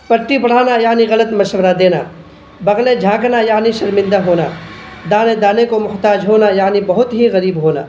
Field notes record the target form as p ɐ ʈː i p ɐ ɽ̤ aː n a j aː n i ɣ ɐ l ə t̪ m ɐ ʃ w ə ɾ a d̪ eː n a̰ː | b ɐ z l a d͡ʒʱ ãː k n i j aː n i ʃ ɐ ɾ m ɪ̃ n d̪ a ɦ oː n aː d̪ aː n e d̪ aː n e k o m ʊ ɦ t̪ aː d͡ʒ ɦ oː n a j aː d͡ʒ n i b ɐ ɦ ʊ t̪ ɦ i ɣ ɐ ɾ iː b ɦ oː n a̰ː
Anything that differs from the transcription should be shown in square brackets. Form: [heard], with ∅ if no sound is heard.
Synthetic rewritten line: p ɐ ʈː i p ɐ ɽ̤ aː n a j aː n i ɣ ɐ l ə t̪ m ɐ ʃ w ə ɾ a d̪ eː n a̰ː | b ɐ [ɣ] l [e] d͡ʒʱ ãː k n [a] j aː n i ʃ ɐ ɾ m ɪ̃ n d̪ a ɦ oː n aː d̪ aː n e d̪ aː n e k o m ʊ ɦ t̪ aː d͡ʒ ɦ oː n a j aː [∅] n i b ɐ ɦ ʊ t̪ ɦ i ɣ ɐ ɾ iː b ɦ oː n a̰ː